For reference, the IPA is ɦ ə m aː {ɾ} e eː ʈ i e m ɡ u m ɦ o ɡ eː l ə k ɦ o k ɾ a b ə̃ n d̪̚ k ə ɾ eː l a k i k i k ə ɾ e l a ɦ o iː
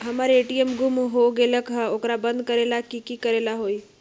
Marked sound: correct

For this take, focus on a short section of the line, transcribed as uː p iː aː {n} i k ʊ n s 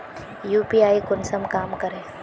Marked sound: incorrect: none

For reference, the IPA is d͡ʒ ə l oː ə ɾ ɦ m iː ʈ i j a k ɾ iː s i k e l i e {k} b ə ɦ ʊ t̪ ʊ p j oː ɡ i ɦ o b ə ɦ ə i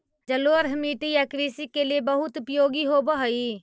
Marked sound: incorrect: none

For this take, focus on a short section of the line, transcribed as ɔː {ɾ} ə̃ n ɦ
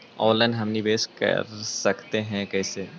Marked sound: incorrect: l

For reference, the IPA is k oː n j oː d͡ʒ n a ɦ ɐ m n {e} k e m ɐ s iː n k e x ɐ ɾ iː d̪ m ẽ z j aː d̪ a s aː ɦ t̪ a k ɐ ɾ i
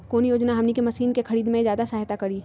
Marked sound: incorrect: i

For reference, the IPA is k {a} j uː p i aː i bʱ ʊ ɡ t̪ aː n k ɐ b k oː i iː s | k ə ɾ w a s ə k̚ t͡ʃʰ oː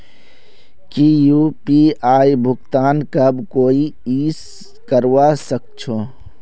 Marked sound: incorrect: i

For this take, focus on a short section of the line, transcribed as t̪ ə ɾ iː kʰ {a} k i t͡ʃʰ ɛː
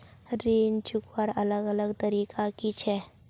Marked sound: correct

